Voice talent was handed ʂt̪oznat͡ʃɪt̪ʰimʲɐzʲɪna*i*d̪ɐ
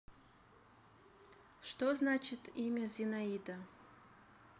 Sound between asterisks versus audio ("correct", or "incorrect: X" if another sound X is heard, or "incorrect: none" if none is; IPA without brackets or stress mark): correct